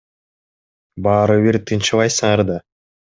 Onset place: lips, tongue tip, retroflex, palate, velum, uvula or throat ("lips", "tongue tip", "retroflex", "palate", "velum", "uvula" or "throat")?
lips